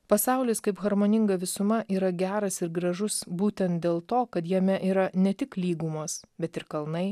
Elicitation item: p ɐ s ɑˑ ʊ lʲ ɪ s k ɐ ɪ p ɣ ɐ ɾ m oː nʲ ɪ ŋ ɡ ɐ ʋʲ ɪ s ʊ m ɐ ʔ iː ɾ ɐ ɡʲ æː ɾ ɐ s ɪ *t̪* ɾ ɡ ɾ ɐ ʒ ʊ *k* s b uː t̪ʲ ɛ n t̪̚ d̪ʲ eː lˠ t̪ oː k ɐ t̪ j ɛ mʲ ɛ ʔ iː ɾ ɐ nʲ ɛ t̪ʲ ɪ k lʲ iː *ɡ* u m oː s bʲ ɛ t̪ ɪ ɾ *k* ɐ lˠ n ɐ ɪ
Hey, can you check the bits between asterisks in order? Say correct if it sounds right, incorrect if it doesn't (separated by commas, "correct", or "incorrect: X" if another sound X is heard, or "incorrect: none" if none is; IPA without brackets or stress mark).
incorrect: none, incorrect: none, correct, correct